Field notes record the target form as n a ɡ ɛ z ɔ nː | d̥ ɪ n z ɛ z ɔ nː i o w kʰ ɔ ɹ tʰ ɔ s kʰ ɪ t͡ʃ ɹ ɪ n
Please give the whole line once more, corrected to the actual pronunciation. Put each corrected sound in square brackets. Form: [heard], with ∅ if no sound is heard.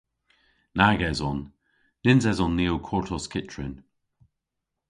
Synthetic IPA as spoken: n a ɡ ɛ z ɔ [n] | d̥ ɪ n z ɛ z ɔ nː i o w kʰ ɔ ɹ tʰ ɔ s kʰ ɪ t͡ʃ ɹ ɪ n